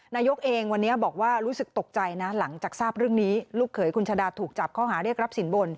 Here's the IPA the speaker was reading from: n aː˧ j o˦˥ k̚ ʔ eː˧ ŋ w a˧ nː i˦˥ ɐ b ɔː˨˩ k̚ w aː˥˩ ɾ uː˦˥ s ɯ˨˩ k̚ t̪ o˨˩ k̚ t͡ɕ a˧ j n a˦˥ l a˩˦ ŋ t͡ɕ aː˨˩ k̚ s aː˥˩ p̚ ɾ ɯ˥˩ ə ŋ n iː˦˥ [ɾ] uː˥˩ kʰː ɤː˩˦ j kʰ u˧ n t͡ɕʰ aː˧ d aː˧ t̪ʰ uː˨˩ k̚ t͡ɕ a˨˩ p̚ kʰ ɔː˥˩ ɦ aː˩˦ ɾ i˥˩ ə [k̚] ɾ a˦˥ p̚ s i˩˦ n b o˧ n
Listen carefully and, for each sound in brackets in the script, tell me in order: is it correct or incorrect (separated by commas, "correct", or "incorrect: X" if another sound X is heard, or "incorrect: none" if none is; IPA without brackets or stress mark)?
incorrect: l, correct